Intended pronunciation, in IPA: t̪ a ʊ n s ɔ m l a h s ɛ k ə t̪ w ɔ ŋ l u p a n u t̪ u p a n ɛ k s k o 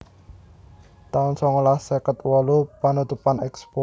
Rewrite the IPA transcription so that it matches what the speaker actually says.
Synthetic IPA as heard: t̪ a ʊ n s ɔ ŋ l a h s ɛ k ə t̪ w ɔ l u p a n u t̪ u p a n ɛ k s p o